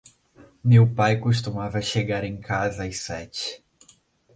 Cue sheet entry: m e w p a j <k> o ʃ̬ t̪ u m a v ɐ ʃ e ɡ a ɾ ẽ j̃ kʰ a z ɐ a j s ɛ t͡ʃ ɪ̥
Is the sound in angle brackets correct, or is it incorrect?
correct